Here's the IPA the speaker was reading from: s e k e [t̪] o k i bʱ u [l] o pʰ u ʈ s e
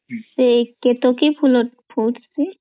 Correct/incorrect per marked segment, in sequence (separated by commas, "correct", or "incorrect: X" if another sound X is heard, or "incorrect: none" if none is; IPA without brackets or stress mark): correct, correct